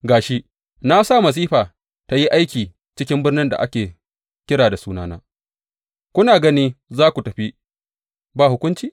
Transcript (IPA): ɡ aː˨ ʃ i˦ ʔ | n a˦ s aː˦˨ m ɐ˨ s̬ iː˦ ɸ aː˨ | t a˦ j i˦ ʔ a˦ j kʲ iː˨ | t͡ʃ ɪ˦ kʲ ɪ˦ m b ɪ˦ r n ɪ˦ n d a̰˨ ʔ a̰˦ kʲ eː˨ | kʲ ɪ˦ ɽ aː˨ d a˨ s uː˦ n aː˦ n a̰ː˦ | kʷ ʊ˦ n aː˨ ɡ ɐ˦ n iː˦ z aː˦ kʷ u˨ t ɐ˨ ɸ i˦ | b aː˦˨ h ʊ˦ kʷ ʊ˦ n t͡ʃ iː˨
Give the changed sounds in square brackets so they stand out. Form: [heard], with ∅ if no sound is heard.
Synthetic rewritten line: ɡ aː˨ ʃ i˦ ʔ | n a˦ s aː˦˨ m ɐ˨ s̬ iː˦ ɸ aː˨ | t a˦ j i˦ ʔ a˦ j kʲ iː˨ | t͡ʃ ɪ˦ kʲ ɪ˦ m b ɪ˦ r n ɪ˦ n d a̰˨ ʔ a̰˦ kʲ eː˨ | kʲ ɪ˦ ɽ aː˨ d a˨ s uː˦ n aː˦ n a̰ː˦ | kʷ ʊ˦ n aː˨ ɡ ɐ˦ n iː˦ z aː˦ kʷ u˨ t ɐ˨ ɸ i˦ | b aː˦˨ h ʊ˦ kʷ ʊ˦ n t͡ʃ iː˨

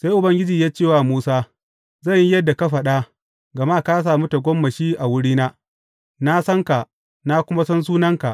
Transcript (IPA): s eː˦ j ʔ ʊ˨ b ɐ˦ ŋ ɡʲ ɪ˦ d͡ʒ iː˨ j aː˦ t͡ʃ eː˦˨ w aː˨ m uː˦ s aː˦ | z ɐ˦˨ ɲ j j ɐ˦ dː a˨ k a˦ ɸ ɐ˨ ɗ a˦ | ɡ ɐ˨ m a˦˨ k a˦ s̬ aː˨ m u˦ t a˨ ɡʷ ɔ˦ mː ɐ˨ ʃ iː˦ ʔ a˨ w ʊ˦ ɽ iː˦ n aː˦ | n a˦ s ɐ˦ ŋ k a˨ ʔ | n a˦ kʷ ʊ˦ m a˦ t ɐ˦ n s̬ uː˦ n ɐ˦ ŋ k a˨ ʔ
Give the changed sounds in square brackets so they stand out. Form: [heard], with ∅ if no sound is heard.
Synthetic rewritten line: s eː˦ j ʔ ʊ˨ b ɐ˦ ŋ ɡʲ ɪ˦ d͡ʒ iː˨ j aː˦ t͡ʃ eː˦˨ w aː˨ m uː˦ s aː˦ | z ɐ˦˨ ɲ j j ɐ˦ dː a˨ k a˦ ɸ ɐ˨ ɗ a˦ | ɡ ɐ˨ m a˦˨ k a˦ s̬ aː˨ m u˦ t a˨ ɡʷ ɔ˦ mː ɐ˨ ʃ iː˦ ʔ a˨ w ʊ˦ ɽ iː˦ n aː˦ | n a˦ s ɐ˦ ŋ k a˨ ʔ | n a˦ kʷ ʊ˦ m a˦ [s] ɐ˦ n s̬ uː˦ n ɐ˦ ŋ k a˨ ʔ

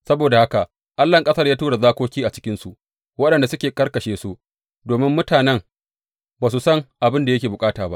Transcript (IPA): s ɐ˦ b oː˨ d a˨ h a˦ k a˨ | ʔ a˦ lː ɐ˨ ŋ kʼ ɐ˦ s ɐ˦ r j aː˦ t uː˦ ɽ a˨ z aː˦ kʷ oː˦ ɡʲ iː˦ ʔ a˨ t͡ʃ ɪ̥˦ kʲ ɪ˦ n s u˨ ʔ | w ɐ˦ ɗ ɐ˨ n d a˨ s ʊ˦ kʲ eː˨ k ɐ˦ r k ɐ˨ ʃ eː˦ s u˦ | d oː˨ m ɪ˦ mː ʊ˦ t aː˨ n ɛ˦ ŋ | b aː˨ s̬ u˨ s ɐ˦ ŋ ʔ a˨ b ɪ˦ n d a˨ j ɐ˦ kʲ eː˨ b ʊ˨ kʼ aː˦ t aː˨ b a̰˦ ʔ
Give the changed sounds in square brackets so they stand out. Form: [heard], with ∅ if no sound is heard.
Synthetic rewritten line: s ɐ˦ b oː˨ d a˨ h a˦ k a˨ | ʔ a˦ lː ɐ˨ ŋ kʼ ɐ˦ s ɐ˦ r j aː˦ t uː˦ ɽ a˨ z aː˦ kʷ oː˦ [kʲ] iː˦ ʔ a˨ t͡ʃ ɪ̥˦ kʲ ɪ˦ n s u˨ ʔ | w ɐ˦ ɗ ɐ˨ n d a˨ s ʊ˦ kʲ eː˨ k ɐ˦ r k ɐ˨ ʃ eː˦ s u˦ | d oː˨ m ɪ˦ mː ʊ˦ t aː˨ n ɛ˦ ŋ | b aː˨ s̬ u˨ s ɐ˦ ŋ ʔ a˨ b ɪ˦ n d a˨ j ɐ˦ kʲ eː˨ b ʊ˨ kʼ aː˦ t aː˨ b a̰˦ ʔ

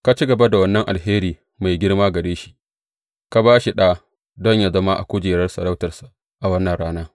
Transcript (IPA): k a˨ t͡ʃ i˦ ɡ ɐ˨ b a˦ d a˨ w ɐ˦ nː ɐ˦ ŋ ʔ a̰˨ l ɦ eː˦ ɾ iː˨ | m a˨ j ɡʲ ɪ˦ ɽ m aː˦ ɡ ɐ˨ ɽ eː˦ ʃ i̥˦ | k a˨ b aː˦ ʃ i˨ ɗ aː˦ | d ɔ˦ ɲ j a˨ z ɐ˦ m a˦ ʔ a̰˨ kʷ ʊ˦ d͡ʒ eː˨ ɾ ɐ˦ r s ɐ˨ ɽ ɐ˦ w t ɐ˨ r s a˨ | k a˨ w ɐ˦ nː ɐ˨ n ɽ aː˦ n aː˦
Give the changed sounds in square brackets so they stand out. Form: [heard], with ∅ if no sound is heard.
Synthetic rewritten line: k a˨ t͡ʃ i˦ ɡ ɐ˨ b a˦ d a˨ w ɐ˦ nː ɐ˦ ŋ ʔ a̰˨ l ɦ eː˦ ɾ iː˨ | m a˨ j ɡʲ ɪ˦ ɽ m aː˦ ɡ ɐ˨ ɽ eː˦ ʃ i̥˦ | k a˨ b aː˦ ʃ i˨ ɗ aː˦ | d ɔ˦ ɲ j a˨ z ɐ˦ m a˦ ʔ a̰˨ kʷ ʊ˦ d͡ʒ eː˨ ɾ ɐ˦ r s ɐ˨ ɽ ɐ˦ w t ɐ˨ r s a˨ | [ʔ] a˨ w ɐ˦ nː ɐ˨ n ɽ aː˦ n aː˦

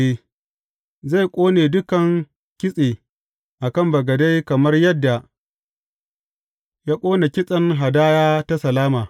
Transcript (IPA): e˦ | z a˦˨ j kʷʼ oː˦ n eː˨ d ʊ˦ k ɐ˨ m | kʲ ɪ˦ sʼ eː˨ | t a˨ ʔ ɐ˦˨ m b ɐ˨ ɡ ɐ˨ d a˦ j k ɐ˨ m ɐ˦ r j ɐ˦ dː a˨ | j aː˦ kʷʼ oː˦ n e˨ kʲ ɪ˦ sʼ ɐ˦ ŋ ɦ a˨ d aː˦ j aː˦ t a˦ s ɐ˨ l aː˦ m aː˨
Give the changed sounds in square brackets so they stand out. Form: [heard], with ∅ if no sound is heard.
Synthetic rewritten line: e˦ | z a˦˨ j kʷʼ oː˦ n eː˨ d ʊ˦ k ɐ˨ [ŋ] | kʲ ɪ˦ sʼ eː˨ | [ʔ] a˨ [k] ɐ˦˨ m b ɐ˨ ɡ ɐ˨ d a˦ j k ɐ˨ m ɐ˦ r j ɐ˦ dː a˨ | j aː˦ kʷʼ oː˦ n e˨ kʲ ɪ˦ sʼ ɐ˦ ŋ ɦ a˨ d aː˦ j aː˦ t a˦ s ɐ˨ l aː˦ m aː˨

